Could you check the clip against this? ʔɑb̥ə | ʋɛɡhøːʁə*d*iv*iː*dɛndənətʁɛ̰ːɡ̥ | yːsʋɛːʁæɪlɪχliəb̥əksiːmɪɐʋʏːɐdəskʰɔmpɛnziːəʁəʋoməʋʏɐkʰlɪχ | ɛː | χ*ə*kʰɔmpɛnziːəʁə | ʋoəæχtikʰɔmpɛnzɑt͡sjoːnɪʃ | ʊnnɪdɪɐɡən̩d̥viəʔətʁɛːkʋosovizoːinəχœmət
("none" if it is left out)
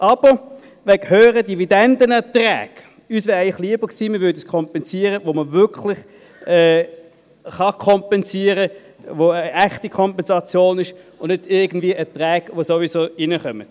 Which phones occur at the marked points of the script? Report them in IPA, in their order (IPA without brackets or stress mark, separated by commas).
d, i, ɑ